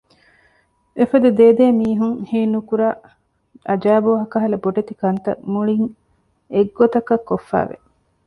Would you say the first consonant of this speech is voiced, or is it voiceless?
voiceless